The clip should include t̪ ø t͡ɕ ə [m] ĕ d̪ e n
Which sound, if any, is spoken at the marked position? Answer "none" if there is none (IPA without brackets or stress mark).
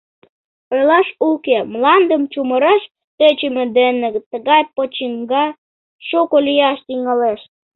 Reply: m